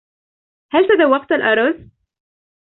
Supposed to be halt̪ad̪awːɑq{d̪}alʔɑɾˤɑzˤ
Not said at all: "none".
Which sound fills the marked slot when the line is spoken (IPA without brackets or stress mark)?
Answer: t̪